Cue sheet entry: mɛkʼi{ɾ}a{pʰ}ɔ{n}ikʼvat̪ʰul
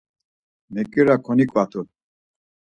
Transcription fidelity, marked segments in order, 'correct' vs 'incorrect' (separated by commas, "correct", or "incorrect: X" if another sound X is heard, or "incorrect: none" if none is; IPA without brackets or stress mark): correct, incorrect: kʰ, correct